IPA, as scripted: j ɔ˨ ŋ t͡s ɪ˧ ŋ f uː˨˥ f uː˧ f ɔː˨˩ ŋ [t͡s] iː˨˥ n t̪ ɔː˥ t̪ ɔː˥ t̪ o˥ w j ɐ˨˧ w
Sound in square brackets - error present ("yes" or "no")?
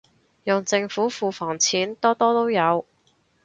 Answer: yes